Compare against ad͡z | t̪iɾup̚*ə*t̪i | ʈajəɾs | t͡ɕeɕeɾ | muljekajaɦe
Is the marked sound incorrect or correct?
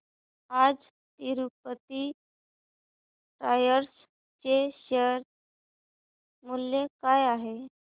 correct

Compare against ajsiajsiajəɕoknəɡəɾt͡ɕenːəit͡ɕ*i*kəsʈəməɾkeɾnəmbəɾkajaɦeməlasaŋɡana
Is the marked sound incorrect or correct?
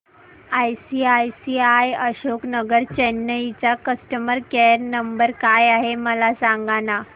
incorrect: a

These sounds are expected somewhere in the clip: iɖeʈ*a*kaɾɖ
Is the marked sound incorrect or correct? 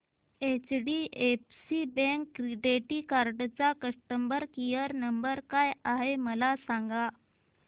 incorrect: i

